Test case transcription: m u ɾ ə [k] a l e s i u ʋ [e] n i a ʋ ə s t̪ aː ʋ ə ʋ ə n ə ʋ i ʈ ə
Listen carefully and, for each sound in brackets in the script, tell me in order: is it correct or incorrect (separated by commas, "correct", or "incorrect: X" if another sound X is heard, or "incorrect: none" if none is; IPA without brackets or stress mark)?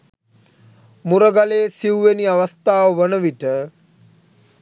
incorrect: ɡ, correct